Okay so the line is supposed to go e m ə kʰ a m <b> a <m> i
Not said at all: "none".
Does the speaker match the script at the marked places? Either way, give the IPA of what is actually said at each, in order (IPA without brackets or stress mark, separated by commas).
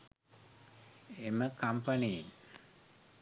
p, n